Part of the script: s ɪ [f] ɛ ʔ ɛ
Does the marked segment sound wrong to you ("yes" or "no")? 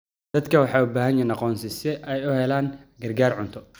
yes